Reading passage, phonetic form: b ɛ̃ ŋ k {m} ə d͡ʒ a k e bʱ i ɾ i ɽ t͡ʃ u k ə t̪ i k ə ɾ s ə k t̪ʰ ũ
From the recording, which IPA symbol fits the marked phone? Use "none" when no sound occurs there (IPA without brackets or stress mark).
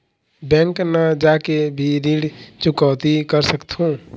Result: n